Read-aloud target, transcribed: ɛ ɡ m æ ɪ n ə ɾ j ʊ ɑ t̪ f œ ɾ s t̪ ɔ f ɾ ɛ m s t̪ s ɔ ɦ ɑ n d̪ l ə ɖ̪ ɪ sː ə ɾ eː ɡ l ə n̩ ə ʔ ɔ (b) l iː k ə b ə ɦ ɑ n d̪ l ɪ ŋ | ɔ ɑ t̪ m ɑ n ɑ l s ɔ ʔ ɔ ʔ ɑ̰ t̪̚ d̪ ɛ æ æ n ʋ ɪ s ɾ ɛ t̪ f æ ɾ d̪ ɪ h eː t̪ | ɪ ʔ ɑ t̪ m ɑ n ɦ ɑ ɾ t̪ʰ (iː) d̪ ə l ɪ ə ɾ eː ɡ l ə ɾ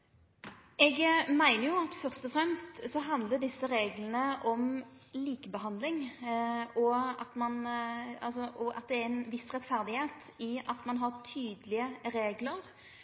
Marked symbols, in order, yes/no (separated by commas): no, no